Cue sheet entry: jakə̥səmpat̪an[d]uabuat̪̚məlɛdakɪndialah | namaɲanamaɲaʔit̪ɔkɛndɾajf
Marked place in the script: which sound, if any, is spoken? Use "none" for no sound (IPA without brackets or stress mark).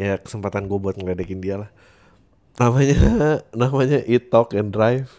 ɡ